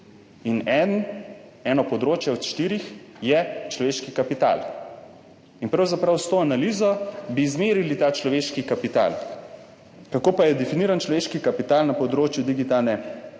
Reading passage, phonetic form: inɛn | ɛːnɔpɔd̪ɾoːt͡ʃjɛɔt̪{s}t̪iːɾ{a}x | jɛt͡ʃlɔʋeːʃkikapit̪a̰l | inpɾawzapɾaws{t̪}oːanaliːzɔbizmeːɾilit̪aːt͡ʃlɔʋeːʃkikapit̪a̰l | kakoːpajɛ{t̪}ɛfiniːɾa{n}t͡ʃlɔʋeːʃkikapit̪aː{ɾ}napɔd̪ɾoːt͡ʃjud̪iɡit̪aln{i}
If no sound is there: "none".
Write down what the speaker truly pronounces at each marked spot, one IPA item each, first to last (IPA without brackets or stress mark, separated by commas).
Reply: ʃ, i, t̪, d̪, n, l, ɛ